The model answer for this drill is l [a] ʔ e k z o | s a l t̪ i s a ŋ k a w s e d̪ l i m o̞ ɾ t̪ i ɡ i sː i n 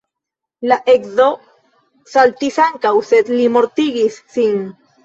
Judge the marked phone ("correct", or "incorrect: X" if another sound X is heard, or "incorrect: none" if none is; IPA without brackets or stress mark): correct